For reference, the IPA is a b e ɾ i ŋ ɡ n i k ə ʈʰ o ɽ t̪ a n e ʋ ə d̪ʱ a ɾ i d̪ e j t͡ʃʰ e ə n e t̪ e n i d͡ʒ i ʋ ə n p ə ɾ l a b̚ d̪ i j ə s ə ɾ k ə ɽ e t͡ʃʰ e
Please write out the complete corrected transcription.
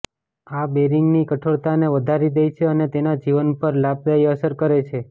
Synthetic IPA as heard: a b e ɾ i ŋ ɡ n i k ə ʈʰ o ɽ t̪ a n e ʋ ə d̪ʱ a ɾ i d̪ e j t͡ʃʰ e ə n e t̪ e n a d͡ʒ i ʋ ə n p ə ɾ l a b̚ d̪ a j ə s ə ɾ k ə ɾ e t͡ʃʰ e